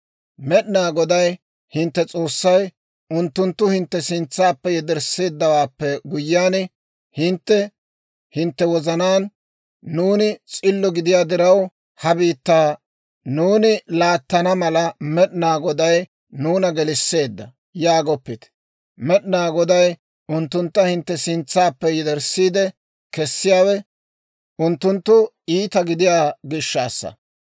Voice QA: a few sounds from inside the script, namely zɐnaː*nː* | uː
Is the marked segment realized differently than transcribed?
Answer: no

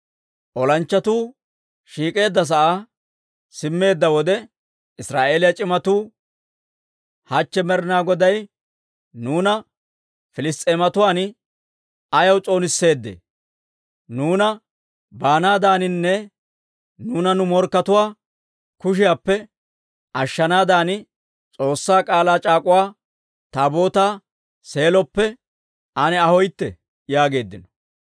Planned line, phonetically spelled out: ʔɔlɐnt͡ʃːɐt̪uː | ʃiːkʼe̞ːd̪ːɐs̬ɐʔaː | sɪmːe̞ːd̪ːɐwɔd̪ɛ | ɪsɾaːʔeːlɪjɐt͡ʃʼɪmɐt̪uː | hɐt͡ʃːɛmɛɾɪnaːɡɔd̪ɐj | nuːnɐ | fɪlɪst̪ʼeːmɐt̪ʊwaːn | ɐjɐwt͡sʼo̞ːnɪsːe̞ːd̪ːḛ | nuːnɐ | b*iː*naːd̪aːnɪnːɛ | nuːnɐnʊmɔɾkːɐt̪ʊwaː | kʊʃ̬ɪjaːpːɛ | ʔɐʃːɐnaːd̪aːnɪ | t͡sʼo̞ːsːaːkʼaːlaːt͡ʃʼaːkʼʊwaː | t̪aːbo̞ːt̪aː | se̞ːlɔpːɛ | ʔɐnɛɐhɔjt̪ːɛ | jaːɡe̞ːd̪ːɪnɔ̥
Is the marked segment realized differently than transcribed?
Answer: yes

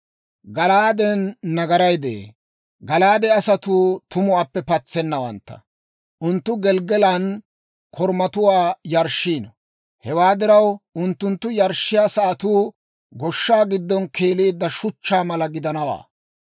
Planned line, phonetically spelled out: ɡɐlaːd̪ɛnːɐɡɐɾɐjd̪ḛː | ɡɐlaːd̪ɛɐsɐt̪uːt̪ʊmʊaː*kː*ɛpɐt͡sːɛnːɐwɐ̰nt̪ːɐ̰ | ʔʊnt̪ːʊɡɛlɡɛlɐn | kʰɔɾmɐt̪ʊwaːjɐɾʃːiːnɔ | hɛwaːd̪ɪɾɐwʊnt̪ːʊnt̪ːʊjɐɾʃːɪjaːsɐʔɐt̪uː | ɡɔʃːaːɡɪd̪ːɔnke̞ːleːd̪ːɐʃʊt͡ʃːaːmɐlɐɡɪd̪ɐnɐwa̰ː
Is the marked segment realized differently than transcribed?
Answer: yes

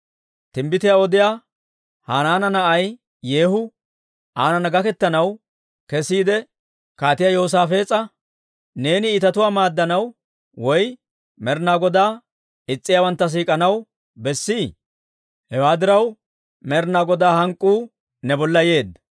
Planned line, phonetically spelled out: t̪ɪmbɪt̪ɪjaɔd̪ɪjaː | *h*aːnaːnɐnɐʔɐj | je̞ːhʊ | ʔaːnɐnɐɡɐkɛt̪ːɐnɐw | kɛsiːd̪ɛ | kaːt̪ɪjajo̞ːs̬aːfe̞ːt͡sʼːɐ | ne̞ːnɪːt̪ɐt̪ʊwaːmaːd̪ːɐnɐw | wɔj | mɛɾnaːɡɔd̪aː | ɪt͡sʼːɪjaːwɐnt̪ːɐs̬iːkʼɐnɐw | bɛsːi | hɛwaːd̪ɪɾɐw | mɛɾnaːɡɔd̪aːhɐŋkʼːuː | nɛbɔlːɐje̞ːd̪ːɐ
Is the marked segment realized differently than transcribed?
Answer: no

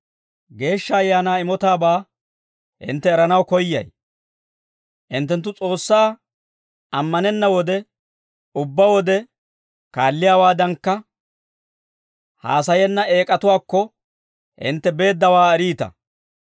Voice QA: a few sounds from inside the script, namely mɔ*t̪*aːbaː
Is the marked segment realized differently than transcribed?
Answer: no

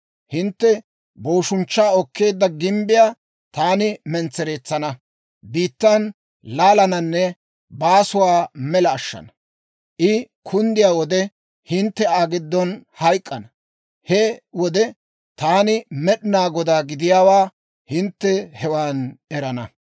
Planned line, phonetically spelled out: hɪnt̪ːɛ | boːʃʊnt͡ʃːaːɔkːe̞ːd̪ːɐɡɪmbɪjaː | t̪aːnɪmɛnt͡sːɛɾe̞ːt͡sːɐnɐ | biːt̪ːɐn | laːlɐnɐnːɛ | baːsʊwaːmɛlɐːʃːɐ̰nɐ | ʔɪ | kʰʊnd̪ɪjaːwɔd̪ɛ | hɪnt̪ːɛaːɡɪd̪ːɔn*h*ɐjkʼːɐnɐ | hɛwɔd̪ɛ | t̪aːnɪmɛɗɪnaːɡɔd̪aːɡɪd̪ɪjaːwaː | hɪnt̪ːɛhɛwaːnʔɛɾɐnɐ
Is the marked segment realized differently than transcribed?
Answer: no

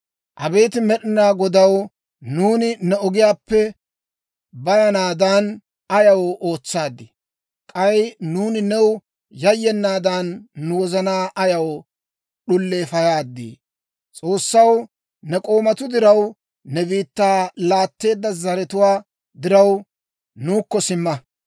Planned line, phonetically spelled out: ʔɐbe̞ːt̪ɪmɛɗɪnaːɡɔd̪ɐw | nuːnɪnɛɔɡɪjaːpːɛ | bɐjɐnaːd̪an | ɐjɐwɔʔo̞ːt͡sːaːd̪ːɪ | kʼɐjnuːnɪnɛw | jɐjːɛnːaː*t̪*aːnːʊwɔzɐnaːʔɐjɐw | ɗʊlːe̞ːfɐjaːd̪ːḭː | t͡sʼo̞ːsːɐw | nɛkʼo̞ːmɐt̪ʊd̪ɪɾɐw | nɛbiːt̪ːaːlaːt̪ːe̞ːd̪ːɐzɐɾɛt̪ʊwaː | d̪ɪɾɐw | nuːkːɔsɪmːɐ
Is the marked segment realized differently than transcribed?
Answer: yes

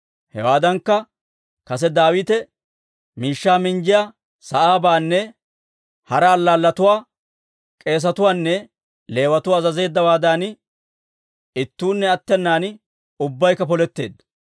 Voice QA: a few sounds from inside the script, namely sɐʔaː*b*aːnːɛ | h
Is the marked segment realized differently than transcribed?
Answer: no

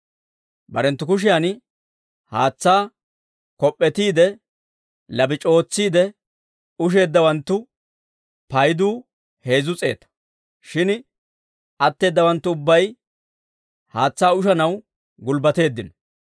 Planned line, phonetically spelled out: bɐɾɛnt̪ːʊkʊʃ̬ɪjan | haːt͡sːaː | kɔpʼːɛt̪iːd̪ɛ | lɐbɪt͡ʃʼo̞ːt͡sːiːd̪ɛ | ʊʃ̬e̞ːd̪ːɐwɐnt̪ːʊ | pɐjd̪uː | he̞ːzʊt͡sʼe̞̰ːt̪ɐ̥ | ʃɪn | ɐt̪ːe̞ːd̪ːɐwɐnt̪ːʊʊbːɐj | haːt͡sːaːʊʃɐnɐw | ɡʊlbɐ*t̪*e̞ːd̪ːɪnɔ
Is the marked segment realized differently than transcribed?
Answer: no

